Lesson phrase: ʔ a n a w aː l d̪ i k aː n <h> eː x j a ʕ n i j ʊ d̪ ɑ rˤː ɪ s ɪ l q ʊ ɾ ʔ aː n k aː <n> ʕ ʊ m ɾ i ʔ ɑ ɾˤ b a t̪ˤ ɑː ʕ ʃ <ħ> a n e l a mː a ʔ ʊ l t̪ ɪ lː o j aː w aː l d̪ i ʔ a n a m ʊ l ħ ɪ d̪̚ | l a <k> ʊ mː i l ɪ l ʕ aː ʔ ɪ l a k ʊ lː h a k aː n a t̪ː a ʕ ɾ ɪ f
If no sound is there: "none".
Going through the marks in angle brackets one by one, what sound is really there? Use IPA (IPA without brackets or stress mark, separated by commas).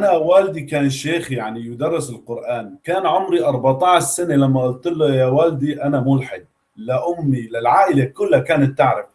ʃ, n, s, ʔ